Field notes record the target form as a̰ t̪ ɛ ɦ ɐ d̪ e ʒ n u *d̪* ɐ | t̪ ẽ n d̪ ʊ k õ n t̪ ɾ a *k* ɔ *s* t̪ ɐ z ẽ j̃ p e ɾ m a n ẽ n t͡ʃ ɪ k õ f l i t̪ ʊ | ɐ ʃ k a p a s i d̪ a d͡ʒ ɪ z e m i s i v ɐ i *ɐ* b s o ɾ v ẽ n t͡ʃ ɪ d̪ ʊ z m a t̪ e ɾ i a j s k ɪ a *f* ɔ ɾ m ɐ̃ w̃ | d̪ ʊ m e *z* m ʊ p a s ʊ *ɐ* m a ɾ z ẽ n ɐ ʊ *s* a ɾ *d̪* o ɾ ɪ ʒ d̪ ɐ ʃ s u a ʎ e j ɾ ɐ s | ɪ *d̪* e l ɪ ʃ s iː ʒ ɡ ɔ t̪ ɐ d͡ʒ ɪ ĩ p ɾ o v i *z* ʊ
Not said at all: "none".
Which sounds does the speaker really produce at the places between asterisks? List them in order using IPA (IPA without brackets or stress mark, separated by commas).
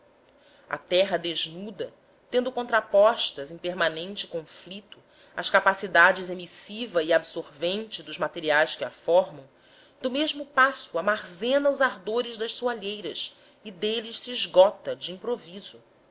d̪, p, ʃ, a, f, ʒ, a, z, d̪, d̪, z